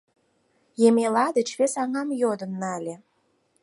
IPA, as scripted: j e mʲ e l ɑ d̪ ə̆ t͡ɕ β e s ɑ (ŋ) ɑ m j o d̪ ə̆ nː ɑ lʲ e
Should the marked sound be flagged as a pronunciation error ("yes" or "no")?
no